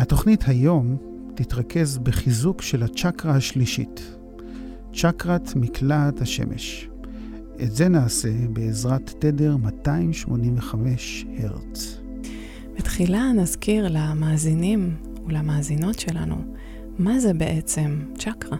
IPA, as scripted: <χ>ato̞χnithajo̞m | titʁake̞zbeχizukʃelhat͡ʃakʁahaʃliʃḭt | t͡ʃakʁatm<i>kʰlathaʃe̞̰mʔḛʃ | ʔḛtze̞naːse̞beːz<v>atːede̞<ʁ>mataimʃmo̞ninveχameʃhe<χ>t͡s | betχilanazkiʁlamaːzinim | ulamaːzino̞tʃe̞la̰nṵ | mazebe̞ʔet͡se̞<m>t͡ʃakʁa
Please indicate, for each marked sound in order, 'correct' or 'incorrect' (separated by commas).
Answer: incorrect, correct, incorrect, correct, incorrect, correct